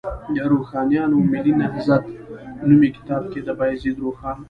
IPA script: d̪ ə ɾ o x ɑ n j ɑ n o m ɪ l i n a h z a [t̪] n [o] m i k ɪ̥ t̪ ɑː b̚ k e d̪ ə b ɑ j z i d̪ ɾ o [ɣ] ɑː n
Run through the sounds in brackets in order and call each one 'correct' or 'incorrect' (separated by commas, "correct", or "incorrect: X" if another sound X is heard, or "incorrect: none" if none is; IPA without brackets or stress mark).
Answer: correct, incorrect: u, incorrect: x